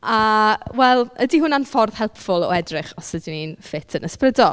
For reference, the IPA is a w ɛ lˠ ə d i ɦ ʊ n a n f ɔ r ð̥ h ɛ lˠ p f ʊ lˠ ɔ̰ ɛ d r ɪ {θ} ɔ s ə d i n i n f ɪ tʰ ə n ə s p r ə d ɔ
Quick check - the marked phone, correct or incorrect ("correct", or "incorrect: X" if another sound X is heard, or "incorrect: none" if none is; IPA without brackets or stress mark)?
incorrect: χ